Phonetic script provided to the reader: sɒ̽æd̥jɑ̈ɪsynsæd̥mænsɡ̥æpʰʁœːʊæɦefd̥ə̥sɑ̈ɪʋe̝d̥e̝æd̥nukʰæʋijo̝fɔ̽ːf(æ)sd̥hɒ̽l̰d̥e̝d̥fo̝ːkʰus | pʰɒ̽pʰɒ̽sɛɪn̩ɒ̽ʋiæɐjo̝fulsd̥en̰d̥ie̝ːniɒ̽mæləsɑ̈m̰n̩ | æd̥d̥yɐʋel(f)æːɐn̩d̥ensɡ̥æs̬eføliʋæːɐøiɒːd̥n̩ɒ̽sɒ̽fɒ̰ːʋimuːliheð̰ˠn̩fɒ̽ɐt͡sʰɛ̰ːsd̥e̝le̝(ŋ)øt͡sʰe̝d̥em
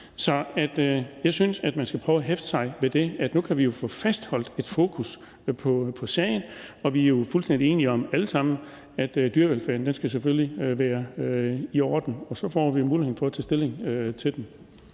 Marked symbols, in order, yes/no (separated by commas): yes, yes, yes